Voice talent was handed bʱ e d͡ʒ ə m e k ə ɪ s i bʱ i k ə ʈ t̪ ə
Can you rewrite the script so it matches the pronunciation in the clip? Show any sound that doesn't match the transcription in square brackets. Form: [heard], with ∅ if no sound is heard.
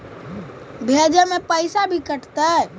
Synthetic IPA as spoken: bʱ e d͡ʒ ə m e [p] ə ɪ s [a] bʱ i k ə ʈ t̪ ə